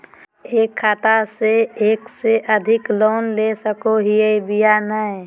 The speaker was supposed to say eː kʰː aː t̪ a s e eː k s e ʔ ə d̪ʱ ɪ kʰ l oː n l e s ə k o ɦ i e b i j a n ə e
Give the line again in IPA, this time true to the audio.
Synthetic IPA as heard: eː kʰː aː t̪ a s e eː k s e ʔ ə d̪ʱ ɪ k l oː n l e s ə k o ɦ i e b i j a n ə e